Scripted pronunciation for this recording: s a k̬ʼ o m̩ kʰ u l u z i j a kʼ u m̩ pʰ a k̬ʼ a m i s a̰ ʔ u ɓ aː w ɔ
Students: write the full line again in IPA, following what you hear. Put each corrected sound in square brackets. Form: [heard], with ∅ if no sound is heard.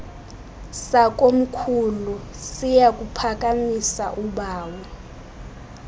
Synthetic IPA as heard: s a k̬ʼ o m̩ kʰ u l u [s] i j a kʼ u [∅] pʰ a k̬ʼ a m i s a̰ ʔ u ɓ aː w ɔ

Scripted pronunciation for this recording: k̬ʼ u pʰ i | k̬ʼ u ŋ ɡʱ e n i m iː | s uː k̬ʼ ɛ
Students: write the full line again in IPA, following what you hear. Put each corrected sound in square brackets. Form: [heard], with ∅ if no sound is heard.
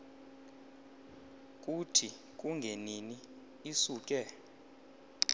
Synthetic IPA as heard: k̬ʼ u [tʰ] i | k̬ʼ u ŋ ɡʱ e n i [n] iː | s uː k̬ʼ ɛ

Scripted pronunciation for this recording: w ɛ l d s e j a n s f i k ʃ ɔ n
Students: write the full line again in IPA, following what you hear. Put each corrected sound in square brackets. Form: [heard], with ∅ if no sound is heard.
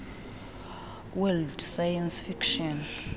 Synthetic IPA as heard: w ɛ l d s [a] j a n s f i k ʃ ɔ n

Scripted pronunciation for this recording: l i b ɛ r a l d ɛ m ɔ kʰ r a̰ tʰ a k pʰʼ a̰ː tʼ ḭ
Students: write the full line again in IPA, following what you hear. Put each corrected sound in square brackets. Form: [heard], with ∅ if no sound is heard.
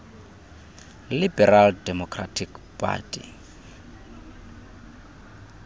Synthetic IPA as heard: l i b ɛ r a l d ɛ m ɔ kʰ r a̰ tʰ [i] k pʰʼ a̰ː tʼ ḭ

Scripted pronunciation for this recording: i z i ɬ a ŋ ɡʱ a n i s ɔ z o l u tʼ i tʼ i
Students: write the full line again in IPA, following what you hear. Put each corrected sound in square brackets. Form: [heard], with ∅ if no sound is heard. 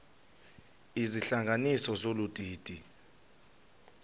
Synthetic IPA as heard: i z i ɬ a ŋ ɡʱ a n i s ɔ z o l u tʼ [iː] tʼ i

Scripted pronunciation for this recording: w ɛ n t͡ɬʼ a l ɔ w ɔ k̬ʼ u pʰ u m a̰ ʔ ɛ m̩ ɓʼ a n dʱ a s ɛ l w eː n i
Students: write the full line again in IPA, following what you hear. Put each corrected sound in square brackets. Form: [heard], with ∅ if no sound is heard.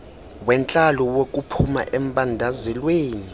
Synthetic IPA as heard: w ɛ n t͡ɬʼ a l ɔ w [o] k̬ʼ u pʰ u m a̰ ʔ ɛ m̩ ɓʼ a n dʱ a [z] ɛ l w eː n i

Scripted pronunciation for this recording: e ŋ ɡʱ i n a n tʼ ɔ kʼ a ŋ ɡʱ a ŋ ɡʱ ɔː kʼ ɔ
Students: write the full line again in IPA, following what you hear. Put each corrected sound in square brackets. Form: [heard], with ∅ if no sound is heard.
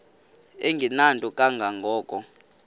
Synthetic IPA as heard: e ŋ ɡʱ i n a n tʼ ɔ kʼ a ŋ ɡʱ a ŋ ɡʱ ɔː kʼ ɔ

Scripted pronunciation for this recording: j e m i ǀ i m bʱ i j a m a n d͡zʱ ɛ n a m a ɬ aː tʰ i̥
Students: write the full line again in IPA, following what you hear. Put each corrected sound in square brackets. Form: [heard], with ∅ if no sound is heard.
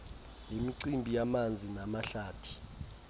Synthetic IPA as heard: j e m i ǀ i m bʱ i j a m a n d͡zʱ [i] n a m a ɬ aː tʰ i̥

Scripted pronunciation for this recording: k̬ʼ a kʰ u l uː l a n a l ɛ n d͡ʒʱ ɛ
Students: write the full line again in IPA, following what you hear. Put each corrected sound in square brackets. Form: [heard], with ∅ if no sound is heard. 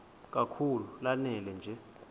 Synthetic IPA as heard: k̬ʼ a kʰ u l [u] l a n [ɛ] l ɛ n d͡ʒʱ ɛ

